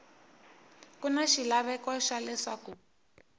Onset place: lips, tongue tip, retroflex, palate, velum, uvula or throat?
velum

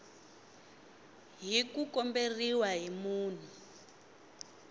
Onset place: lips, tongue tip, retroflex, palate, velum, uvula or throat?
throat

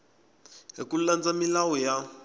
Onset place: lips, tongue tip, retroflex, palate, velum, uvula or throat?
throat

